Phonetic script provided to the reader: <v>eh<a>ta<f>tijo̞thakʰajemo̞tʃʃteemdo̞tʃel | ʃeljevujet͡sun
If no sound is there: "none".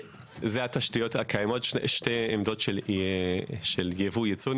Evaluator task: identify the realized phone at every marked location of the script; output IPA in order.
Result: z, a, ʃ

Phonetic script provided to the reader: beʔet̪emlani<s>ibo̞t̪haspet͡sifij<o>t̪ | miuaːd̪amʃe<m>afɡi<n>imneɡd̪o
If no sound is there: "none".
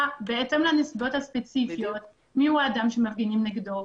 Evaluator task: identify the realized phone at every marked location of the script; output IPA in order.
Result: s, o, m, n

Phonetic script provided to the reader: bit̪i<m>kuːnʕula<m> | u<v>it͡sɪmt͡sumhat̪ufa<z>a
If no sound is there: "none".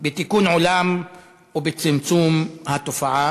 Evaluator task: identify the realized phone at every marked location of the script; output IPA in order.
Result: none, m, b, ʕ

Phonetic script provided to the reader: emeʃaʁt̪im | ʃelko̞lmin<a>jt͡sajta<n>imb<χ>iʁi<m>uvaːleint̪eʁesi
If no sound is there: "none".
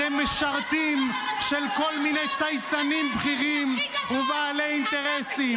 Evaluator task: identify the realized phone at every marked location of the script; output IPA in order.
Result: e, n, χ, m

